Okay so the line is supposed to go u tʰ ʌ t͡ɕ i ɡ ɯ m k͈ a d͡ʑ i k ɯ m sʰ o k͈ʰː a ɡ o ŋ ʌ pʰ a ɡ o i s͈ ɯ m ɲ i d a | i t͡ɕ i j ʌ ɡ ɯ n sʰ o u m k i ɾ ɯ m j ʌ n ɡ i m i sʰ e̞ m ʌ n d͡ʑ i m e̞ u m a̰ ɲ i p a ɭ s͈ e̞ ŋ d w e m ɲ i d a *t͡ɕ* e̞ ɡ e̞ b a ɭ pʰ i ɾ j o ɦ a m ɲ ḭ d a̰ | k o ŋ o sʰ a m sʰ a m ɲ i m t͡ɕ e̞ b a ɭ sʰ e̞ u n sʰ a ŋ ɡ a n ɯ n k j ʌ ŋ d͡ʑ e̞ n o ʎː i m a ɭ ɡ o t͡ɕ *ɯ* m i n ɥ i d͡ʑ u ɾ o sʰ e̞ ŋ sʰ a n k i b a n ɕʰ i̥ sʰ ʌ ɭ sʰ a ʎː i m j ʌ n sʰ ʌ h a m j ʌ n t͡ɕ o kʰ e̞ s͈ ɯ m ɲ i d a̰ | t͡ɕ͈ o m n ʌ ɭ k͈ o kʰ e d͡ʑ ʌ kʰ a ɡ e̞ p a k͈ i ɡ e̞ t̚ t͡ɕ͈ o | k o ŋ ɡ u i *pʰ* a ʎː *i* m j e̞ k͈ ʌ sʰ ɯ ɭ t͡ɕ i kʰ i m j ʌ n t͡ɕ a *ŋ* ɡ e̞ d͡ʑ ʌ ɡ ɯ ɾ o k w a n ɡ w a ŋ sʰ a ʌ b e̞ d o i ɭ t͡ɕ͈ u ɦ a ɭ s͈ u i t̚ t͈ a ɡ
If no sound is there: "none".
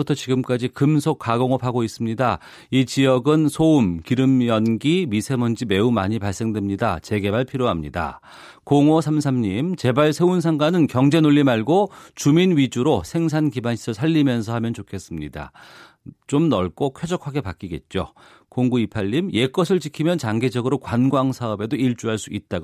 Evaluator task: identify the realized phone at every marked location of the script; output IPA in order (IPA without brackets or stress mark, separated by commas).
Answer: t͡ɕ, u, pʰ, i, ŋ